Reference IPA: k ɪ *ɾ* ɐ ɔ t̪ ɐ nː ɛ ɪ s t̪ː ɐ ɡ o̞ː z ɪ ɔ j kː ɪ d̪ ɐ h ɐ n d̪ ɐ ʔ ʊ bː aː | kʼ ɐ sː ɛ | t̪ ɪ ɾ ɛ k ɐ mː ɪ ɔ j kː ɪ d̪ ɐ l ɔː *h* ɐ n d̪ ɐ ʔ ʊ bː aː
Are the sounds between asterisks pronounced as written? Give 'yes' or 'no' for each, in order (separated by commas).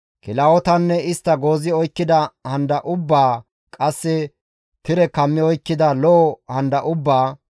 no, yes